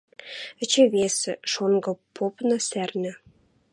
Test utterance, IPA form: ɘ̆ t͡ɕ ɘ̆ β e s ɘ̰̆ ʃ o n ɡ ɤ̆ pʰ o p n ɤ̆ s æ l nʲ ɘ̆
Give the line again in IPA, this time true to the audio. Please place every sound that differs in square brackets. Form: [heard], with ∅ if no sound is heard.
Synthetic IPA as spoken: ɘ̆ t͡ɕ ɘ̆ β e s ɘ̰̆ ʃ o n ɡ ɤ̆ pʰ o p n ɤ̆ s æ [r] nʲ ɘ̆